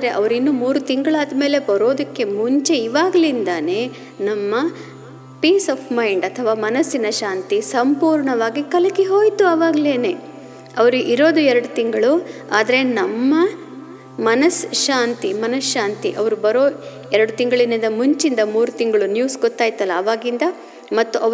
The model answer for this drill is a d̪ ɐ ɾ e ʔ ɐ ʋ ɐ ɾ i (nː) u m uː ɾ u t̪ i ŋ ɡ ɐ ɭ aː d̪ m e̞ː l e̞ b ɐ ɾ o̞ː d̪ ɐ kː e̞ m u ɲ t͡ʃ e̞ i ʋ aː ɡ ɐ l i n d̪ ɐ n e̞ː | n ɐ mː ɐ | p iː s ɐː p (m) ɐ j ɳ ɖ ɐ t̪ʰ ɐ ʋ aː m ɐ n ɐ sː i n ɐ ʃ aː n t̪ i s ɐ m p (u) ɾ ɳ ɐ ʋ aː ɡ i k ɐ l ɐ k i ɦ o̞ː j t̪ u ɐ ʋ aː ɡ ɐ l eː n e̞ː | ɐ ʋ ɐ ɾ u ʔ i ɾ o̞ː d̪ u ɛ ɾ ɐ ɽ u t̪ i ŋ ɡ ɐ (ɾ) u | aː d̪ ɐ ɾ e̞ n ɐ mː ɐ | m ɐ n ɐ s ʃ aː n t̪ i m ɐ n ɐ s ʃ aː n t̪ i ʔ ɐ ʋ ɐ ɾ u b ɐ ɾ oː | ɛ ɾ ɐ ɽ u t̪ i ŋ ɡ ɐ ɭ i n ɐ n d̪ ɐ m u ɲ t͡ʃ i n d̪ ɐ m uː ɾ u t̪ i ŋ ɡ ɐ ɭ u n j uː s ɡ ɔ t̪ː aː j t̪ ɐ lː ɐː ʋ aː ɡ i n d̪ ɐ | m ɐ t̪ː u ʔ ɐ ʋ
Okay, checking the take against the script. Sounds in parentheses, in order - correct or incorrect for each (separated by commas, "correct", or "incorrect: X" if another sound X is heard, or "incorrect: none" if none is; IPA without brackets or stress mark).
correct, correct, incorrect: uː, incorrect: ɭ